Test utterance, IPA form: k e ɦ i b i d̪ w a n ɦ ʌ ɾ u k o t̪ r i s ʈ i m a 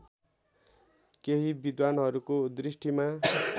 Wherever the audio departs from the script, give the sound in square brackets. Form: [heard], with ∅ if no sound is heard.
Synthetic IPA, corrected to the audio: k e ɦ i b i d̪ w a n ɦ ʌ ɾ u k o [d̪] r i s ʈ i m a